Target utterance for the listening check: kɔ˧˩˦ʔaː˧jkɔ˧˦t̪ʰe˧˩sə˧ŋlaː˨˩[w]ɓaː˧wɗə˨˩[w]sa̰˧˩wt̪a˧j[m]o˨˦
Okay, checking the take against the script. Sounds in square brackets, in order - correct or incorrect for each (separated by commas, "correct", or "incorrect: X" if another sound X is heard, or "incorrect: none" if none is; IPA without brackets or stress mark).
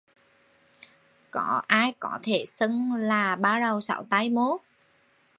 incorrect: none, correct, correct